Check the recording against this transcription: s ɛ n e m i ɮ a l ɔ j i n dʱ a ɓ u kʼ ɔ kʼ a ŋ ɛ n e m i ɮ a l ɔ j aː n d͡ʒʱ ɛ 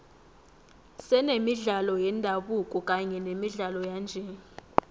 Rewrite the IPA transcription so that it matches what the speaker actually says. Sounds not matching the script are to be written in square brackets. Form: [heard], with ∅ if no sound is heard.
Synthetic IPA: s ɛ n e m i ɮ a l ɔ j [ɛ] n dʱ a ɓ u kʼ ɔ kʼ a [ɲ] ɛ n e m i ɮ a l ɔ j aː n d͡ʒʱ ɛ